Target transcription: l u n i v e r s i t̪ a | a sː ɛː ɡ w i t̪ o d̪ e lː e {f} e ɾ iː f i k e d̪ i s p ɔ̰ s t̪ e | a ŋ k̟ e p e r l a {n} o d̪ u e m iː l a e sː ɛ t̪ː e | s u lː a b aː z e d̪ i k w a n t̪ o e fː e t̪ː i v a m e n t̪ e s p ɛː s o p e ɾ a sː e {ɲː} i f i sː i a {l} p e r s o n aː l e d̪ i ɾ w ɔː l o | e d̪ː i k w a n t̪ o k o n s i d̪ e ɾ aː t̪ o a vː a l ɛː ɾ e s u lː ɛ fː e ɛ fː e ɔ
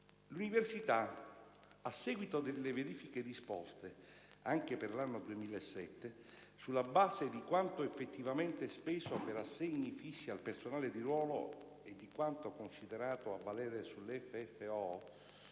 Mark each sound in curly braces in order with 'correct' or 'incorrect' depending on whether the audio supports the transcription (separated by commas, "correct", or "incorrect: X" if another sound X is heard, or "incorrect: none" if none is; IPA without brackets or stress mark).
incorrect: v, incorrect: nː, correct, correct